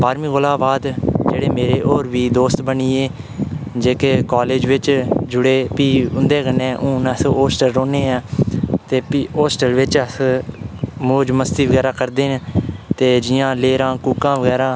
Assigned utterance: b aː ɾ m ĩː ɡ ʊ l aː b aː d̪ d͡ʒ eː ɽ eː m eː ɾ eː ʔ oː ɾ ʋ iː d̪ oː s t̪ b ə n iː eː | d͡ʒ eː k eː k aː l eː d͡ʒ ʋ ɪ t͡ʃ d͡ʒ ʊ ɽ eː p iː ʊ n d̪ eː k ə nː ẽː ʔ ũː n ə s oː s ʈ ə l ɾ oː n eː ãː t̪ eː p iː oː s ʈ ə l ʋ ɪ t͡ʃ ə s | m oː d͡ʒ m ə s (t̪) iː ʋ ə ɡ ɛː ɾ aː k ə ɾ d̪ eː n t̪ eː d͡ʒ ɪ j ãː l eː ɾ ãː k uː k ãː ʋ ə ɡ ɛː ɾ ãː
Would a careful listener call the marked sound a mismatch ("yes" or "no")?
no